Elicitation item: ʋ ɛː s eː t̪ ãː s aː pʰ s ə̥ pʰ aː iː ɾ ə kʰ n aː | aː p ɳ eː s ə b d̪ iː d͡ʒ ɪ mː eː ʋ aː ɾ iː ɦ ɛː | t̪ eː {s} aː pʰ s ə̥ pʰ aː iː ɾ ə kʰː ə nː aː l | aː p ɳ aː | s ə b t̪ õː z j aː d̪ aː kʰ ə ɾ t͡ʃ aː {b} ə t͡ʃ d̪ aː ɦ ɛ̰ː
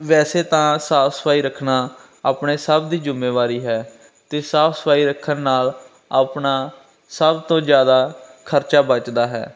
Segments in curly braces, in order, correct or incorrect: correct, correct

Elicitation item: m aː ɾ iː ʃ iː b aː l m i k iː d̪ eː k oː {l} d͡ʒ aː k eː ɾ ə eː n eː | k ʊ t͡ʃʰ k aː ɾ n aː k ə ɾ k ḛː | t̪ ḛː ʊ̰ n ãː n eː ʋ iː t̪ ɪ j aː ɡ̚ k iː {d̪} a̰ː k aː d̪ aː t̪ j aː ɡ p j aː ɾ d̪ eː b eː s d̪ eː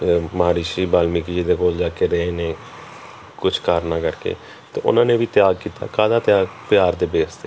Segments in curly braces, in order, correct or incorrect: correct, incorrect: t̪

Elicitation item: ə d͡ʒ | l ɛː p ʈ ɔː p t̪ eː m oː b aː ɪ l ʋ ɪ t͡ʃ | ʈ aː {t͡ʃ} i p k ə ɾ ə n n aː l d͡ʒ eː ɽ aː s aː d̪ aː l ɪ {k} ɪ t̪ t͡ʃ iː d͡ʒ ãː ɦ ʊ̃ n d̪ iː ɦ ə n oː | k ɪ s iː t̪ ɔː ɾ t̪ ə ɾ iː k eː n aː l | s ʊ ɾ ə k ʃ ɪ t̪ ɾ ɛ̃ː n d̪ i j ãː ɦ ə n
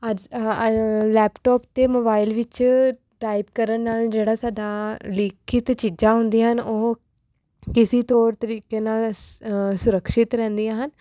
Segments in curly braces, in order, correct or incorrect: incorrect: none, incorrect: kʰ

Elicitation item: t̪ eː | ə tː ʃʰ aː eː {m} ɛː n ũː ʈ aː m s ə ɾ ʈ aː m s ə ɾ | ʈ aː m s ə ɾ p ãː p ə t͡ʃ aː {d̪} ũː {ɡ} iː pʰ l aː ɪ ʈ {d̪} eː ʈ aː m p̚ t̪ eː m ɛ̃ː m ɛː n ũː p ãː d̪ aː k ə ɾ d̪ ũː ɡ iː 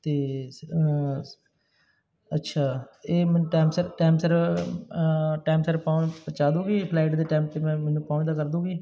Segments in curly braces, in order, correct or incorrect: correct, correct, correct, correct

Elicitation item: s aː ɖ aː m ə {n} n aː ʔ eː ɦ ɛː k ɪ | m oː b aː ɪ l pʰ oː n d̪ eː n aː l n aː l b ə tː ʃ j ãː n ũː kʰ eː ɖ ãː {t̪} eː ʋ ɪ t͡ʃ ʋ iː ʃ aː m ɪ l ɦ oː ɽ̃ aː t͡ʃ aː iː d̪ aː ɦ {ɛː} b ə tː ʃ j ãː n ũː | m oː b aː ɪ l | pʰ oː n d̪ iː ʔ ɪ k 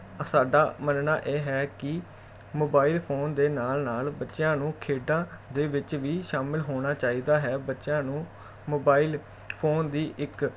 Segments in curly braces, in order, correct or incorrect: correct, incorrect: d̪, correct

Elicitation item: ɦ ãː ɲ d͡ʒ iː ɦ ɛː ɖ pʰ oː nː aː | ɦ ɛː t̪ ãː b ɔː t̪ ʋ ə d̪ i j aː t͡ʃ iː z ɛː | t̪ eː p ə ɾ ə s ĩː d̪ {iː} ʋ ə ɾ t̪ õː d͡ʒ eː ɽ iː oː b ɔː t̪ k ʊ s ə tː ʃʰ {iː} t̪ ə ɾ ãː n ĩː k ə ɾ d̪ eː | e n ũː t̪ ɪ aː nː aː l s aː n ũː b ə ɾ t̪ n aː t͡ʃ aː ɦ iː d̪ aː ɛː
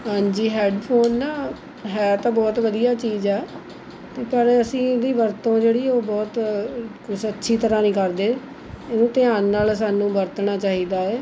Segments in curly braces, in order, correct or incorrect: correct, correct

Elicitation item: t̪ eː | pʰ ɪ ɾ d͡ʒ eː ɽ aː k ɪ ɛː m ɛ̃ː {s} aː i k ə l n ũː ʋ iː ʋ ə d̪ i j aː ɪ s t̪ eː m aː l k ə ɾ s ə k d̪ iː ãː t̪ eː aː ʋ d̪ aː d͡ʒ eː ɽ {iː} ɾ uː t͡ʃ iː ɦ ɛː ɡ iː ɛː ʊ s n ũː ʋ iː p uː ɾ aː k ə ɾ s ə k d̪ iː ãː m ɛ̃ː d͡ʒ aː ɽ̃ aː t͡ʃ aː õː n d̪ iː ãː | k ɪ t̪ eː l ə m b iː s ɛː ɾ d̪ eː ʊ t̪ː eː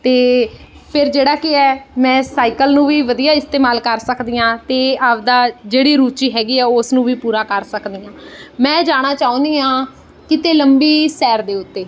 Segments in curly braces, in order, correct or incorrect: correct, correct

